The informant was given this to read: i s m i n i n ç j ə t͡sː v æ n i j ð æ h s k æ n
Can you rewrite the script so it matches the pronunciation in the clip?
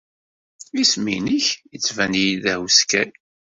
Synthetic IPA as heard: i s m i n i ç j ə t͡sː v æ n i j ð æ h s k æ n

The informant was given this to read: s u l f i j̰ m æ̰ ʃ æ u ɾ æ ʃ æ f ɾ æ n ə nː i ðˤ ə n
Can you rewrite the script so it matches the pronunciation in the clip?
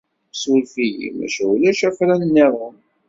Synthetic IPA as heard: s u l f i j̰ m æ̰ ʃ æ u l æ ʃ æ f ɾ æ n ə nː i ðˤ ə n

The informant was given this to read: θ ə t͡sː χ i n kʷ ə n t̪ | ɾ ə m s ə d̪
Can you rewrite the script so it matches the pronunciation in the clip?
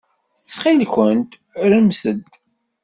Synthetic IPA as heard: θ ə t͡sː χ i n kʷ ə n t̪ | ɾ ə m s ə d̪

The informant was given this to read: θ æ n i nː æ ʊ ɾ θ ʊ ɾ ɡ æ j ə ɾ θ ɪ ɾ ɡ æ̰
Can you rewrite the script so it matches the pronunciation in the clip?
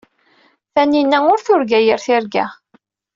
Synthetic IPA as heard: θ æ n i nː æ ʊ ɾ θ ʊ ɾ ɡ æ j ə ɾ θ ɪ ɾ ɡ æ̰

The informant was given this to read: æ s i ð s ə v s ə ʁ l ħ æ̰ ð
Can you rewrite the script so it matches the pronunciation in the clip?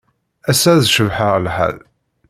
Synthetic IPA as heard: æ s æ ð ʃ ə v ħ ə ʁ l ħ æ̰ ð

